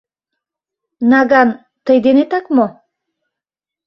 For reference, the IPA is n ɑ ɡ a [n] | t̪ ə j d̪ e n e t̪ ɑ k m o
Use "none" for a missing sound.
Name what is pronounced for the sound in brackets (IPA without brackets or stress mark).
n